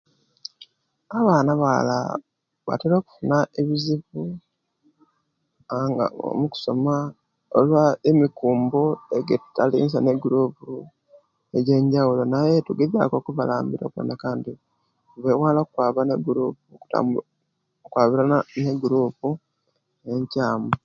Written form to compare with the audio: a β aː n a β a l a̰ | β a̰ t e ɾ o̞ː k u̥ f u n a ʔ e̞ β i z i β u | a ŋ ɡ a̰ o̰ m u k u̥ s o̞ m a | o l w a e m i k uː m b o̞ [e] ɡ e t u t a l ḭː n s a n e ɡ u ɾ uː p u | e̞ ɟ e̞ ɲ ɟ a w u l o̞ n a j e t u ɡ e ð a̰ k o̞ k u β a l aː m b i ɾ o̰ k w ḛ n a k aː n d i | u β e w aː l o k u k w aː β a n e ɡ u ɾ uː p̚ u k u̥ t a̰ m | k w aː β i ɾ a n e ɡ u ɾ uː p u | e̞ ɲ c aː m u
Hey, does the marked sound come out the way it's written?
yes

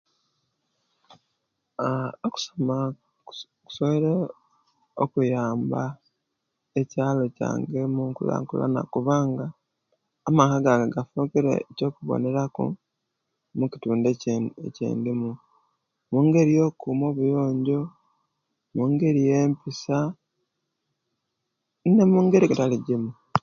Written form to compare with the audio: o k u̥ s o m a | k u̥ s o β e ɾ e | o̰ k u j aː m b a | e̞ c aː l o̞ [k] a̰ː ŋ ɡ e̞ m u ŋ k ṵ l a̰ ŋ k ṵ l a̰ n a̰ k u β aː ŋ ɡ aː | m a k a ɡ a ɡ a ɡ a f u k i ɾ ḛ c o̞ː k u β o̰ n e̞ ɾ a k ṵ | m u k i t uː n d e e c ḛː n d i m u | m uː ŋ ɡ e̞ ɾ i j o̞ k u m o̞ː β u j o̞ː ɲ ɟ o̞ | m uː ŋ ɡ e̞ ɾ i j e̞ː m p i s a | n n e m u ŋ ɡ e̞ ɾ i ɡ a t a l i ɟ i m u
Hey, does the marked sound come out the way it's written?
no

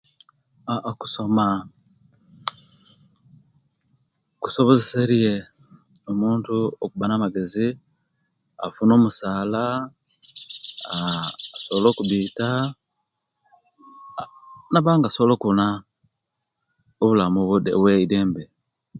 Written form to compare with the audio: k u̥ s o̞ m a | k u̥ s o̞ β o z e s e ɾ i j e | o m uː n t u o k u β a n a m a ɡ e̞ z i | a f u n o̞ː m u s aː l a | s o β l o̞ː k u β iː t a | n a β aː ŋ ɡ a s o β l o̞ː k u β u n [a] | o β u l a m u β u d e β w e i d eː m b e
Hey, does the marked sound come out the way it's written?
yes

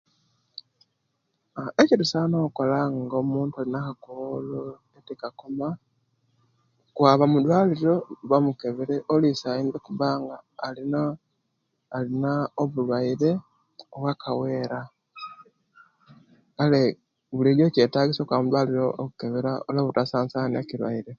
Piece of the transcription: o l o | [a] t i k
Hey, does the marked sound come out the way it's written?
no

